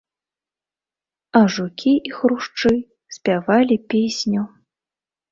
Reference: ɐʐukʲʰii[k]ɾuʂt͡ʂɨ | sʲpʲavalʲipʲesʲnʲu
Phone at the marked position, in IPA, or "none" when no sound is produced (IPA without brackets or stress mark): x